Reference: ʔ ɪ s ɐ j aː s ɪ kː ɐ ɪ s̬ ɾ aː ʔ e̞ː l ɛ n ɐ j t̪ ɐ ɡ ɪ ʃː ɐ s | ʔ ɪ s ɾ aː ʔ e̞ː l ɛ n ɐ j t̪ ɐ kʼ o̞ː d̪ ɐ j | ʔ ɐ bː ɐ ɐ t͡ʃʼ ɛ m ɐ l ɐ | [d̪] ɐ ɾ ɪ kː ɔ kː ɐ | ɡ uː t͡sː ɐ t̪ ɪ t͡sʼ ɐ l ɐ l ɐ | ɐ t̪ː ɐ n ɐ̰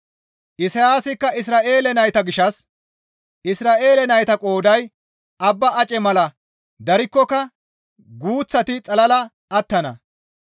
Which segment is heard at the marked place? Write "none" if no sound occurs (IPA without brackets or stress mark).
d̪